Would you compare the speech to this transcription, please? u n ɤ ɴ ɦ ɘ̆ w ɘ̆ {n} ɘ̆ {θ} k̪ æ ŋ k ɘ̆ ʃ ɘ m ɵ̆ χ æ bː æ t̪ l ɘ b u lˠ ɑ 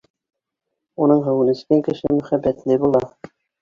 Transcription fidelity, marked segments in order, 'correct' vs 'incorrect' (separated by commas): correct, incorrect